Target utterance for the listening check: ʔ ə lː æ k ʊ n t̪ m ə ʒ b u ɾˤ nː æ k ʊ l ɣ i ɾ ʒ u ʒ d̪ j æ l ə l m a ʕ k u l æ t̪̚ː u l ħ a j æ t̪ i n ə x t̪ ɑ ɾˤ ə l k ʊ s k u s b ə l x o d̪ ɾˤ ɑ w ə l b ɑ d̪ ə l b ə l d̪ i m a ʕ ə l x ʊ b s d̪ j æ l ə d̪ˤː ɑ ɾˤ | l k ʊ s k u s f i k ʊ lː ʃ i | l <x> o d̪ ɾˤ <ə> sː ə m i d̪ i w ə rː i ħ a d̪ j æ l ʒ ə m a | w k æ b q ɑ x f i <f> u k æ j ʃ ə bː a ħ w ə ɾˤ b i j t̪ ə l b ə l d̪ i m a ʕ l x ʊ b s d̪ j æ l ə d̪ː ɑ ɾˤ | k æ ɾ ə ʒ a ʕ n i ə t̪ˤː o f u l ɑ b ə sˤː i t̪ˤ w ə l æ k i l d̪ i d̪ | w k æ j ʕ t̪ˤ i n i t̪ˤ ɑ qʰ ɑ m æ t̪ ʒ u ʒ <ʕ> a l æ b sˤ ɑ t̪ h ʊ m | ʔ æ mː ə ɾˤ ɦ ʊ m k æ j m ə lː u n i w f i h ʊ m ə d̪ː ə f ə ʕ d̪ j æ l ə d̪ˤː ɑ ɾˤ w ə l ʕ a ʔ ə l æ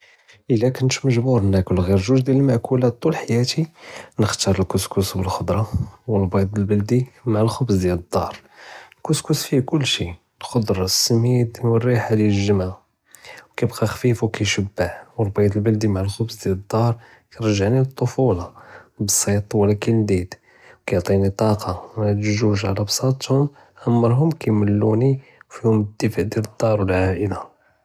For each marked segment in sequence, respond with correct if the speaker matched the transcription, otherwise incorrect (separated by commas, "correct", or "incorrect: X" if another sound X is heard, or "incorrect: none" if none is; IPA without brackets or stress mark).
correct, incorrect: ɑ, correct, correct